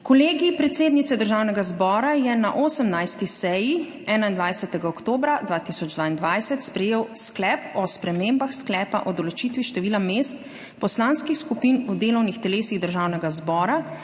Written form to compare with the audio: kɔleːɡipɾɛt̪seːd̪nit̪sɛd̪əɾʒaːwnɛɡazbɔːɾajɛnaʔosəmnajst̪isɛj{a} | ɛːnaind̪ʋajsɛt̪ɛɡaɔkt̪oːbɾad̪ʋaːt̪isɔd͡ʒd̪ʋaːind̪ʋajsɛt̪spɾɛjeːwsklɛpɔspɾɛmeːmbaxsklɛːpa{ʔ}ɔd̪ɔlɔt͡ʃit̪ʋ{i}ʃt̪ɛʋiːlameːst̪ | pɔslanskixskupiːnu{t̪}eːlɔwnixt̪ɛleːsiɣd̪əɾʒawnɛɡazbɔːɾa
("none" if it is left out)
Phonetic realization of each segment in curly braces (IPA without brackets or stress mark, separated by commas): i, ʔ, i, d̪